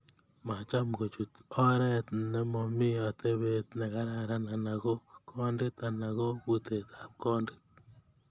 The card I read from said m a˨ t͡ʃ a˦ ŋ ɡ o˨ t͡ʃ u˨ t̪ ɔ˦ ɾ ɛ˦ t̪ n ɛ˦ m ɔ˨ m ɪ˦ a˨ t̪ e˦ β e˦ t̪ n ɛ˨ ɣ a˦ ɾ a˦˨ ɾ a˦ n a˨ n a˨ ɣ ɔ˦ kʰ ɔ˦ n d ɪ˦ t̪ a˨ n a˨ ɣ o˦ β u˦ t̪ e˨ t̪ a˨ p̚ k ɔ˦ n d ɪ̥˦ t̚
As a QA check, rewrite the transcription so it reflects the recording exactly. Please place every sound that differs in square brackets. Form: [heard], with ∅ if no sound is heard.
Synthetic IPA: m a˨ t͡ʃ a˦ [m] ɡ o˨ t͡ʃ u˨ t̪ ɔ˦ ɾ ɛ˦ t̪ n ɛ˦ m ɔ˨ m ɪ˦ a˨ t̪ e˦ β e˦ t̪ n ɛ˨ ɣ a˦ ɾ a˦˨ ɾ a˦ n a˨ n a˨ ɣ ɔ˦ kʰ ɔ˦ n d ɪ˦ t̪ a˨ n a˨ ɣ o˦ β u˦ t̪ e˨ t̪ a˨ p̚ k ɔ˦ n d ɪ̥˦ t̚